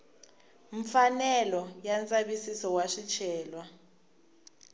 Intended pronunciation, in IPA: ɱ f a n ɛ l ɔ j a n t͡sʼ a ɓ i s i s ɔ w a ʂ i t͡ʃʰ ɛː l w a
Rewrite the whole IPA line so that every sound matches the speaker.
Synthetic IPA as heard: ɱ f a n ɛ l ɔ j a n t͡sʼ a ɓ i s i s ɔ w a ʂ i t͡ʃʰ ɛː l w a

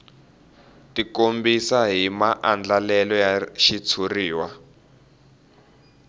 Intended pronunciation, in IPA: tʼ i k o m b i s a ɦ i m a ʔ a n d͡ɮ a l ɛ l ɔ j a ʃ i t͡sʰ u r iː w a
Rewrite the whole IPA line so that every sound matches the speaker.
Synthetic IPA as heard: t i k o m b i s a ɦ i m a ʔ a n d͡ɮ a l ɛ l ɔ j a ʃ i t͡sʰ u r iː w a

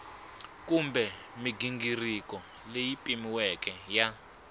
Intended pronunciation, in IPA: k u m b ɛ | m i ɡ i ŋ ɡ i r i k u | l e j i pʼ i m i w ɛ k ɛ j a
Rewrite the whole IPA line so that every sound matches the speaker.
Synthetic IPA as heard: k u m b ɛ | m i ɡ i ŋ ɡ i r i k ɔ | l e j i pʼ i m i w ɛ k ɛ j a

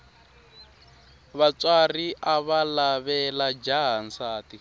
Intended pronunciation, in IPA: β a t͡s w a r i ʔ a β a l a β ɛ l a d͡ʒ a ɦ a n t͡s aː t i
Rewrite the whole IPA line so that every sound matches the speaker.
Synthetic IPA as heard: β a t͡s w a r i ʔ a β a l a β ɛ l a d͡ʒ a ɦ a n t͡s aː t i

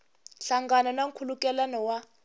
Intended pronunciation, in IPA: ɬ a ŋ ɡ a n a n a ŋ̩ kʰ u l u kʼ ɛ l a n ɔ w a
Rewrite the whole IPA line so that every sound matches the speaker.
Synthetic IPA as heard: ɬ a ŋ ɡ a n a n a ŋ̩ kʰ u l u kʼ ɛ l a n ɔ w a

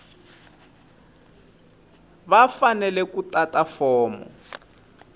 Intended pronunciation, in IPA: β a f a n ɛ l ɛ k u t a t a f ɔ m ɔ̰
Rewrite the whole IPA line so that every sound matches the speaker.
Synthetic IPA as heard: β a f a n ɛ l ɛ k u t a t a f ɔː m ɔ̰

